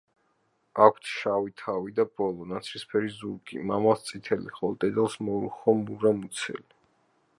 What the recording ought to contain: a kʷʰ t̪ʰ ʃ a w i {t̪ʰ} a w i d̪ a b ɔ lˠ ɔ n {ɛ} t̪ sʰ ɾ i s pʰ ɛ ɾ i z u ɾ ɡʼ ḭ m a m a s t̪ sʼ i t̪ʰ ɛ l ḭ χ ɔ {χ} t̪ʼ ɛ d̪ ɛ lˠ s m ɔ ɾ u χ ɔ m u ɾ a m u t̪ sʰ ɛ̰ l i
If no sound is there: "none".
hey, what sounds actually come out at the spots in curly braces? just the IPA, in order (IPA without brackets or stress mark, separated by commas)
t̪ʰ, a, none